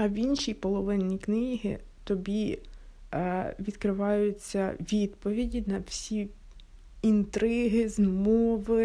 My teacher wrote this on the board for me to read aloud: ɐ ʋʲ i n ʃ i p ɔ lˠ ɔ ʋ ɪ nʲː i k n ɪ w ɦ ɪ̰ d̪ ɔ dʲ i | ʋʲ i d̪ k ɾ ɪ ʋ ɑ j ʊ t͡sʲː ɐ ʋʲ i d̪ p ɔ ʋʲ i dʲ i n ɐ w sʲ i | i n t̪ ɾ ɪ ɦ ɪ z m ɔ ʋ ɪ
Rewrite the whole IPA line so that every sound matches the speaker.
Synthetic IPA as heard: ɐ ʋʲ i n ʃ i p ɔ lˠ ɔ ʋ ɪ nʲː i k n ɪ ɦ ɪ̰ t̪ ɔ bʲ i | ʋʲ i d̪ k ɾ ɪ ʋ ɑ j ʊ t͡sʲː ɐ ʋʲ i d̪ p ɔ ʋʲ i dʲ i n ɐ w sʲ i | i n t̪ ɾ ɪ ɦ ɪ z m ɔ ʋ ɪ